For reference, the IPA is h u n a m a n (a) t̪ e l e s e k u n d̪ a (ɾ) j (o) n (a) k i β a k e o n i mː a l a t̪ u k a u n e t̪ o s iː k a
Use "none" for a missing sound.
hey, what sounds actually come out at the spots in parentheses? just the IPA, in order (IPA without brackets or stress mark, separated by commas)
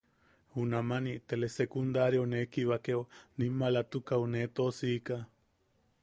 i, ɾ, o, e